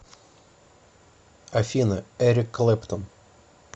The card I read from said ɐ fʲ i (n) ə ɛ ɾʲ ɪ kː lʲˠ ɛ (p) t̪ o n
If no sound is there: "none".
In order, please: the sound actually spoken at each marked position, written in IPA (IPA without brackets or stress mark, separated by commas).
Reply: n, p